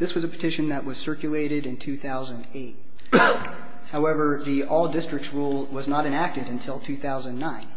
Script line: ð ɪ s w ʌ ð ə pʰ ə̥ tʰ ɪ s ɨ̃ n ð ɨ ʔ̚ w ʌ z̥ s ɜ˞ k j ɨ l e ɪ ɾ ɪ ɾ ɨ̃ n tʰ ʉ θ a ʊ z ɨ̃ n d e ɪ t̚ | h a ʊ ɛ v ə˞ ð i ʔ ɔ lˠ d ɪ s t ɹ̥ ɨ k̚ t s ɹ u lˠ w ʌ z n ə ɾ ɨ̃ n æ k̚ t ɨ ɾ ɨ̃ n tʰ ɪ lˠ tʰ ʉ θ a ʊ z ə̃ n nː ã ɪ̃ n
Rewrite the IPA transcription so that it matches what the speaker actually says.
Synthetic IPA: ð ɪ s w ʌ z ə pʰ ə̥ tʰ ɪ ʃ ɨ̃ n ð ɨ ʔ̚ w ʌ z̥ s ɜ˞ k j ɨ l e ɪ ɾ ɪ ɾ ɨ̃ n tʰ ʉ θ a ʊ z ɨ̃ n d e ɪ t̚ | h a ʊ ɛ v ə˞ ð i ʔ ɔ lˠ d ɪ s t ɹ̥ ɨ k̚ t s ɹ u lˠ w ʌ z n ə ɾ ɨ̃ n æ k̚ t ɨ ɾ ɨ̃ n tʰ ɪ lˠ tʰ ʉ θ a ʊ z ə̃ n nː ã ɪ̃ n